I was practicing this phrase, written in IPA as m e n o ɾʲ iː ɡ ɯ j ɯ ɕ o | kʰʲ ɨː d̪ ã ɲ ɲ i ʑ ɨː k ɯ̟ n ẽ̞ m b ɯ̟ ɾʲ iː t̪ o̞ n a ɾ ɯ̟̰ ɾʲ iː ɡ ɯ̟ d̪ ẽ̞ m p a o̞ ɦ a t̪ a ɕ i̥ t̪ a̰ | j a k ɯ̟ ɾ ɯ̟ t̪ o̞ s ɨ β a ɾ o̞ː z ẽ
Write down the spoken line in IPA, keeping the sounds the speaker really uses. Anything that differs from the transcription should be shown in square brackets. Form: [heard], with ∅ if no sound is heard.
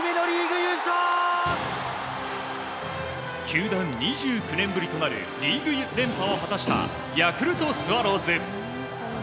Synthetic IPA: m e n o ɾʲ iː ɡ ɯ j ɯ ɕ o | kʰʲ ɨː d̪ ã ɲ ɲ i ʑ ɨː k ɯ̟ n ẽ̞ m b ɯ̟ ɾʲ [i] t̪ o̞ n a ɾ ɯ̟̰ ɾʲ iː ɡ ɯ̟ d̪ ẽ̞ m p a o̞ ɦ a t̪ a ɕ i̥ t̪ a̰ | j a k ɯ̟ ɾ ɯ̟ t̪ o̞ s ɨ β a ɾ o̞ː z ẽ